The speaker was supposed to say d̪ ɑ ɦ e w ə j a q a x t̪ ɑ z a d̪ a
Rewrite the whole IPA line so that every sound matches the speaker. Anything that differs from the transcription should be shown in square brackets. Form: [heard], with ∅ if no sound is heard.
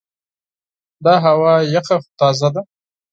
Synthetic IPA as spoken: d̪ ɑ ɦ [a] w [ɑ] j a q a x t̪ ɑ z a d̪ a